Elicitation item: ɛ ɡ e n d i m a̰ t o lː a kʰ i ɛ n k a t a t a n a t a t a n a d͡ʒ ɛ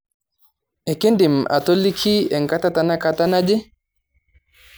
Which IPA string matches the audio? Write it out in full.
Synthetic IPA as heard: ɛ k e n d i m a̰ t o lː i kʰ i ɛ ŋ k a t a t a n a k a t a n a d͡ʒ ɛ